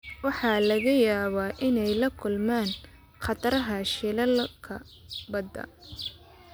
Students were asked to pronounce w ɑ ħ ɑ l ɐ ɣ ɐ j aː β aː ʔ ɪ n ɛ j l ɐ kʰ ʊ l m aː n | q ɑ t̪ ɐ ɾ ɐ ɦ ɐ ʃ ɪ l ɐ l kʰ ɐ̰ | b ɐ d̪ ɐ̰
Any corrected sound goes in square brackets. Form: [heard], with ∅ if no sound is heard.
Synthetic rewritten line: w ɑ ħ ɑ l ɐ ɣ ɐ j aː β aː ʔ ɪ n ɛ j l ɐ kʰ ʊ l m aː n | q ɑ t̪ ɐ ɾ ɐ ɦ ɐ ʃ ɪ l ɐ l kʰ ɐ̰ | b ɐ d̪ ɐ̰

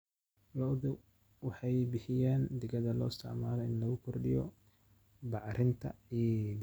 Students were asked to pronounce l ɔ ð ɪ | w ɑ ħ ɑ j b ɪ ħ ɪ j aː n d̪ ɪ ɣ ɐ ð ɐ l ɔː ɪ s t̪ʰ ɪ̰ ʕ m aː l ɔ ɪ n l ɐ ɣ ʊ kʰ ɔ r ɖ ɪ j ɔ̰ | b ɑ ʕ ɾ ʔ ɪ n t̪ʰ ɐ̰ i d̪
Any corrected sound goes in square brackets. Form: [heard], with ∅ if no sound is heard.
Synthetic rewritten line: l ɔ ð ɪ | w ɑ ħ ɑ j b ɪ ħ ɪ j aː n d̪ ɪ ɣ ɐ ð ɐ l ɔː ɪ s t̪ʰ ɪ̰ ʕ m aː l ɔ ɪ n l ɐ ɣ ʊ kʰ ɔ r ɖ ɪ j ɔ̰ | b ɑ ʕ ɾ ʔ ɪ n t̪ʰ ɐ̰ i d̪

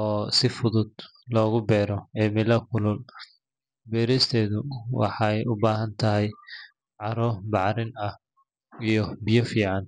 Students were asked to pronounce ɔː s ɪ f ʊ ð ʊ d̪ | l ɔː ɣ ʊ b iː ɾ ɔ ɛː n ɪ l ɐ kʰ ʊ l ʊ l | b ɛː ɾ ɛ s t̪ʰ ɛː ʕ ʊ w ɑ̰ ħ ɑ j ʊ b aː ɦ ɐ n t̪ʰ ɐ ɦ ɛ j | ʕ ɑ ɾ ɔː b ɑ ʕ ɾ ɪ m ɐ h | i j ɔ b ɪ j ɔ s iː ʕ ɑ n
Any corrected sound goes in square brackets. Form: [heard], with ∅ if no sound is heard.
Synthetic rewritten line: ɔː s ɪ f ʊ ð ʊ d̪ | l ɔː ɣ ʊ b [ɛː] ɾ ɔ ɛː [m] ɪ l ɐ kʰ ʊ l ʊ l | b ɛː ɾ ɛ s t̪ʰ ɛː [ð] ʊ w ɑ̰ ħ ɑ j ʊ b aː ɦ ɐ n t̪ʰ ɐ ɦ ɛ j | ʕ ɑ ɾ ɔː b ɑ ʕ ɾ ɪ [n] ɐ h | i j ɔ b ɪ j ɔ [f] iː ʕ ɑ n

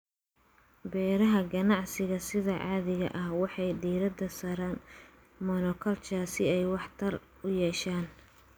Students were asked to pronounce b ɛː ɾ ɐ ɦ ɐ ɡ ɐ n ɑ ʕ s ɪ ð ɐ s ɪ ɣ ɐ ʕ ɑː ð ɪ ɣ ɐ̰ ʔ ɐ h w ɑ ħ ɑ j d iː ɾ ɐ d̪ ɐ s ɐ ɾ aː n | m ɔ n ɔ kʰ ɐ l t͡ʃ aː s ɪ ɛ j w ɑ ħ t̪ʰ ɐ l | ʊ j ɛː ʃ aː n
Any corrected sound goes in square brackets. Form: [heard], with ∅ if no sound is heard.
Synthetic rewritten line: b ɛː ɾ ɐ ɦ ɐ ɡ ɐ n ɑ ʕ s ɪ [ɣ] ɐ s ɪ [ð] ɐ ʕ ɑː ð ɪ ɣ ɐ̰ ʔ ɐ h w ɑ ħ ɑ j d iː ɾ ɐ d̪ ɐ s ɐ ɾ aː n | m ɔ n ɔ kʰ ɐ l t͡ʃ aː s ɪ ɛ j w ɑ ħ t̪ʰ ɐ [r] | ʊ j ɛː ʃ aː n

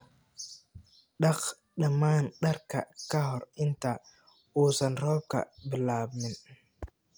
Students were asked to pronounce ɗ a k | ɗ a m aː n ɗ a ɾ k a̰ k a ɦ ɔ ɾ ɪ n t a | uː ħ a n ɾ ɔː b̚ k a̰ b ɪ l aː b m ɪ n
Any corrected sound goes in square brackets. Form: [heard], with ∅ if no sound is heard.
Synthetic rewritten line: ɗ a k | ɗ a m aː n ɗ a ɾ k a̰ k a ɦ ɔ ɾ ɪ n t a | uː [s] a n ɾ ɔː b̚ k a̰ b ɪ l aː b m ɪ n

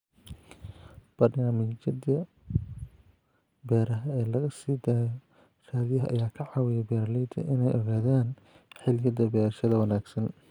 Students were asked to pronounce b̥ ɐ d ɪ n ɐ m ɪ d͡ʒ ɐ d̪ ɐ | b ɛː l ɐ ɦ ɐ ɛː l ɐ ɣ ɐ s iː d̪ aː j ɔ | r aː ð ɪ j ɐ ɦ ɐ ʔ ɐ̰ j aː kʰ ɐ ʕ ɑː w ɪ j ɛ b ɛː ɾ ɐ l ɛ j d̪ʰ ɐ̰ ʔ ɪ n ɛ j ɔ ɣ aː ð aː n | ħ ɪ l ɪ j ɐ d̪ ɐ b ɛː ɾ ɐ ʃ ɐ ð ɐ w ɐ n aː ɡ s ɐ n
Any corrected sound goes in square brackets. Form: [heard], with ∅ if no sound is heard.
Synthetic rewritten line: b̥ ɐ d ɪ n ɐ m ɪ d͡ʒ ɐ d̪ ɐ | b ɛː [ɾ] ɐ ɦ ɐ ɛː l ɐ ɣ ɐ s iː d̪ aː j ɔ | r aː ð ɪ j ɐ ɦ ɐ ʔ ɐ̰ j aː kʰ ɐ ʕ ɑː w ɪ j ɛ b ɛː ɾ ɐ l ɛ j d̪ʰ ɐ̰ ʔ ɪ n ɛ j ɔ ɣ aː ð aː n | ħ ɪ l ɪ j ɐ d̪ ɐ b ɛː ɾ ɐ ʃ ɐ ð ɐ w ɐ n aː ɡ s ɐ n

